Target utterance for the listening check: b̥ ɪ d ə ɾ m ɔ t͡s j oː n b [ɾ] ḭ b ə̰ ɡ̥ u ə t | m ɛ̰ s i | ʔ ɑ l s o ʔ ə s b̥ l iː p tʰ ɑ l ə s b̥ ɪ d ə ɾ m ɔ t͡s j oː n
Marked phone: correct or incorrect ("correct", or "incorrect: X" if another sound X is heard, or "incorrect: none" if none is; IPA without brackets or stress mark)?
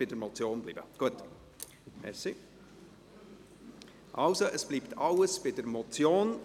incorrect: l